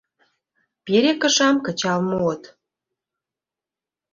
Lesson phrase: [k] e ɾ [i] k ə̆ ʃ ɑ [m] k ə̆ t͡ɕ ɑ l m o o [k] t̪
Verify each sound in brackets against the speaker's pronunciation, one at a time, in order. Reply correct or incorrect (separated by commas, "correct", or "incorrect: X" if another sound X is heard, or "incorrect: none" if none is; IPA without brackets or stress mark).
incorrect: p, incorrect: e, correct, incorrect: none